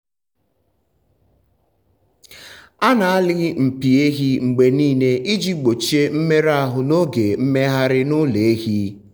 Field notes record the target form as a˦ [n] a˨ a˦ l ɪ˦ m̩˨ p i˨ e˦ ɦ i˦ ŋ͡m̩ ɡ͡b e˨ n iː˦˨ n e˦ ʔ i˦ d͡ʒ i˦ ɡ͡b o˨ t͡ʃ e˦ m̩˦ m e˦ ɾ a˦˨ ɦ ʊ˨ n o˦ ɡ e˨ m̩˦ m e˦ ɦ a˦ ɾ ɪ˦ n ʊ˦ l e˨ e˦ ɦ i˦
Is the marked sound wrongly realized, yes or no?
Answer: no